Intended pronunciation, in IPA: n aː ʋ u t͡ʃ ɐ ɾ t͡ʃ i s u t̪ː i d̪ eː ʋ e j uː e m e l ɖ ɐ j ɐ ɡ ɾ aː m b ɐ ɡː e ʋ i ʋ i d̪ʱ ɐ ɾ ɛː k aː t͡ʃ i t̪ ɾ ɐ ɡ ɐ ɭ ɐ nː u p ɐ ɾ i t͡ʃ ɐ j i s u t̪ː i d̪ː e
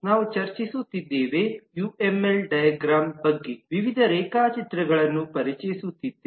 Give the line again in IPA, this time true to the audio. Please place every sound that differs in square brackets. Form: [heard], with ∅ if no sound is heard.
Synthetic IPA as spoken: n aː ʋ u t͡ʃ ɐ ɾ t͡ʃ i s u t̪ː i [d̪ː] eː ʋ e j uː e m e l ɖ ɐ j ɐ ɡ ɾ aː m b ɐ ɡː e ʋ i ʋ i d̪ʱ ɐ ɾ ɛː k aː t͡ʃ i t̪ ɾ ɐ ɡ ɐ ɭ ɐ nː u p ɐ ɾ i t͡ʃ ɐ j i s u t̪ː i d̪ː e